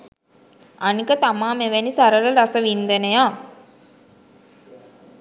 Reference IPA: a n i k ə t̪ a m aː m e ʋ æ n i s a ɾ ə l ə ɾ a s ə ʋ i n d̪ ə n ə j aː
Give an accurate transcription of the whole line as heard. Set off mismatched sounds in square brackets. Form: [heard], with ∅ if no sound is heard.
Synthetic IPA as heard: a n i k ə t̪ a m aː m e ʋ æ n i s a ɾ ə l ə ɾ a s ə ʋ i n d̪ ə n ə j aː